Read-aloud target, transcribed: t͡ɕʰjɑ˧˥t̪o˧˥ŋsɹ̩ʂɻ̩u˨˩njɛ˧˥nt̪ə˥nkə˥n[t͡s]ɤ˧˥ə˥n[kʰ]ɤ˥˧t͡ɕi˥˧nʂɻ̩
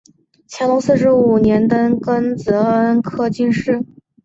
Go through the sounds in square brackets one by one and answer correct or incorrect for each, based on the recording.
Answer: correct, correct

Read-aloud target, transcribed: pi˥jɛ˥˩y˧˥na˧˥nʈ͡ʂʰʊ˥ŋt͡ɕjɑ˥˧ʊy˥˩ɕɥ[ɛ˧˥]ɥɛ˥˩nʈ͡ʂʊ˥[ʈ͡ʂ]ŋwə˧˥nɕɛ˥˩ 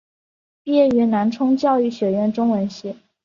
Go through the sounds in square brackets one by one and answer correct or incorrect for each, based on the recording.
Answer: incorrect: ɛ˨˩, incorrect: none

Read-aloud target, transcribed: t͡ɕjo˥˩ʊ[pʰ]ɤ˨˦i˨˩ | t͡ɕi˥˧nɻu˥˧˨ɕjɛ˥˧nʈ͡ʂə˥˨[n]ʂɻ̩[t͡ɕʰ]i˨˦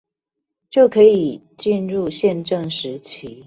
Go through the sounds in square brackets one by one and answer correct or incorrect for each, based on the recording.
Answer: incorrect: kʰ, incorrect: ŋ, correct

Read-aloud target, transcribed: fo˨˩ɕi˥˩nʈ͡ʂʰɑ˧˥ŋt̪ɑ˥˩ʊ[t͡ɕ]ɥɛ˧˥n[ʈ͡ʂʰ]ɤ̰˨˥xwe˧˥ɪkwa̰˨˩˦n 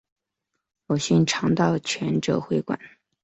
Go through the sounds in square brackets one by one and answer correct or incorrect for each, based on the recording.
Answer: incorrect: t͡ɕʰ, incorrect: ʈ͡ʂ

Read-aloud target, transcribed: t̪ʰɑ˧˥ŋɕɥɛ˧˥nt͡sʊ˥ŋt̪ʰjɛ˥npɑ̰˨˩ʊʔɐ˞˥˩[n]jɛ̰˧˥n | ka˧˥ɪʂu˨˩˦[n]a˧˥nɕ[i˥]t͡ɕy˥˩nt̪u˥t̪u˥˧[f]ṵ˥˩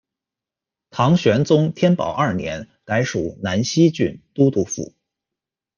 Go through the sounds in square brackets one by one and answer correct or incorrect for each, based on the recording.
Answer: correct, correct, correct, correct

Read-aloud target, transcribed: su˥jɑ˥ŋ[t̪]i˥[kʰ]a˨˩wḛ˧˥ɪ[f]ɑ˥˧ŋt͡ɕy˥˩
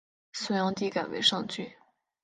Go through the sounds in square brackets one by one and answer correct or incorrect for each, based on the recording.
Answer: correct, incorrect: k, incorrect: ʂ

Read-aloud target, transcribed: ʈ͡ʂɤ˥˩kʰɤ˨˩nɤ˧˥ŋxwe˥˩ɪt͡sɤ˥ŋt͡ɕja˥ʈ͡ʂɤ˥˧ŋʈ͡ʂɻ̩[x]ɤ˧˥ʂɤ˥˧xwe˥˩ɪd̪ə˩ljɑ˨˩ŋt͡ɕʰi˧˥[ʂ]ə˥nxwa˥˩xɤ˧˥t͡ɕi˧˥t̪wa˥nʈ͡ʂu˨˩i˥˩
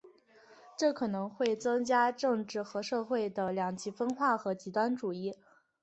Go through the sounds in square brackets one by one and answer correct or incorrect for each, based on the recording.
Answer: correct, incorrect: f

